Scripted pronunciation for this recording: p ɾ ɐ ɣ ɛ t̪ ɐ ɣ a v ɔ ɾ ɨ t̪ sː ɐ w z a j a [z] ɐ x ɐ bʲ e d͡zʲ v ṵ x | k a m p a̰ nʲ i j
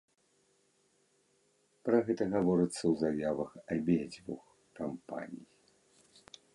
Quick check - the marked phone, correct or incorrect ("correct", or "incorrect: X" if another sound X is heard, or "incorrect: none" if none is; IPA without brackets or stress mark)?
incorrect: v